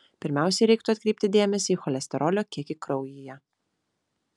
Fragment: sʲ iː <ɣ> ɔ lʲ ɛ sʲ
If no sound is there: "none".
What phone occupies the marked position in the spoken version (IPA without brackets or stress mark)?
x